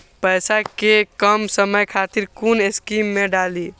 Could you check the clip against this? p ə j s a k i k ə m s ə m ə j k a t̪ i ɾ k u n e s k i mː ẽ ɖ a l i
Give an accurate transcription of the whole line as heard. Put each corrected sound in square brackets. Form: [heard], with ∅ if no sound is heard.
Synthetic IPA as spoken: p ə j s a k [e] k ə m s ə m ə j [kʰ] a t̪ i ɾ k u n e s k i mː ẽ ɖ a l i